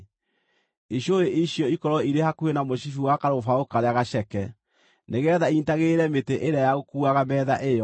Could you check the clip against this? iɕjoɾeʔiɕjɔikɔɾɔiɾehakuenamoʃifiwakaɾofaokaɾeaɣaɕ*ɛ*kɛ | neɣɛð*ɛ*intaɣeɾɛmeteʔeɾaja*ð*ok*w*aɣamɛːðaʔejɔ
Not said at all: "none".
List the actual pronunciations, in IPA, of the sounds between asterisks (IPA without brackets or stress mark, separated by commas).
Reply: ɛ, a, ɣ, u